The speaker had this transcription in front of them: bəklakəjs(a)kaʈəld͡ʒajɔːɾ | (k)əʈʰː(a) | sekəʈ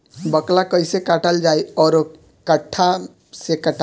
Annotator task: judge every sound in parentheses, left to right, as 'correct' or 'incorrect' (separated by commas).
incorrect, correct, correct